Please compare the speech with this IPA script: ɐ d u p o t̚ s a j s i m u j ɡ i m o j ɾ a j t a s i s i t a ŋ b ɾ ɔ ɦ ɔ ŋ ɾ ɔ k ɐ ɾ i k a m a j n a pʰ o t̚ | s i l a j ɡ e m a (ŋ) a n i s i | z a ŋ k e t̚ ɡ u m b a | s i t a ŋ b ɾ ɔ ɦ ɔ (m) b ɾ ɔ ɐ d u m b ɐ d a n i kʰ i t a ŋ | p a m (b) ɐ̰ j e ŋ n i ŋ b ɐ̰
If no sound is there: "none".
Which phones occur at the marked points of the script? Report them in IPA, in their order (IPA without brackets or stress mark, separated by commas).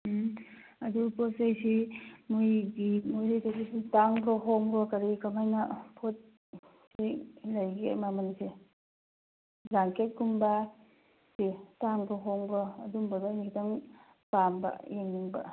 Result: m, ŋ, b